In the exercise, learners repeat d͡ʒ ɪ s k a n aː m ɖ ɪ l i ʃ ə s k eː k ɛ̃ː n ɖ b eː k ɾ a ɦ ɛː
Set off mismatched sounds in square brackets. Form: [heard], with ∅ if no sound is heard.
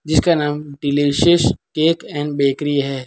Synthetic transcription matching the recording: d͡ʒ ɪ s k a n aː m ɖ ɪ l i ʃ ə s k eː k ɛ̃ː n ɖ b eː k ɾ [i] ɦ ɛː